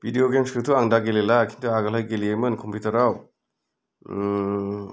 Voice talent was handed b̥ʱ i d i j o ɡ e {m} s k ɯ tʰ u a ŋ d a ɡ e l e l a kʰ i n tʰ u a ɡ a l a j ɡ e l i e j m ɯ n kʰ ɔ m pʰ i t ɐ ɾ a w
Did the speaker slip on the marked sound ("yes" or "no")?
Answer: no